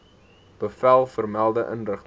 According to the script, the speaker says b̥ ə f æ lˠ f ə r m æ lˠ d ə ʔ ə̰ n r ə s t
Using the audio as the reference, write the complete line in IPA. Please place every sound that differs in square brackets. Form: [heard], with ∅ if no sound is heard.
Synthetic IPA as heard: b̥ ə f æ lˠ f ə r m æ lˠ d ə ʔ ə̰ n r ə [χ] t